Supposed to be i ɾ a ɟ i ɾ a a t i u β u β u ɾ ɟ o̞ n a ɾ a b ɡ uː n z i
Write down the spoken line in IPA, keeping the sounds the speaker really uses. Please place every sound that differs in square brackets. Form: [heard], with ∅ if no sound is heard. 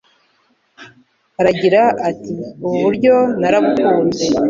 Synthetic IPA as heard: [a] ɾ a ɟ i ɾ a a t i u β u β u ɾ ɟ o̞ n a ɾ a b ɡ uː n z [e]